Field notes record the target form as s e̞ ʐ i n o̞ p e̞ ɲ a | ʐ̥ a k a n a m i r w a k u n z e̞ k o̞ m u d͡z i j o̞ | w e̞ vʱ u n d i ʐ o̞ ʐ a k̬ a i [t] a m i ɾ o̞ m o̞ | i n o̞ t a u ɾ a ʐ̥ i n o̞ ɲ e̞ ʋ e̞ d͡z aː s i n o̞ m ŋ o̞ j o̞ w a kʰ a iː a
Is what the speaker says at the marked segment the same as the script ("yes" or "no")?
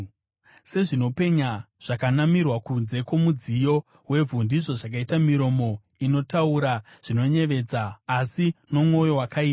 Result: yes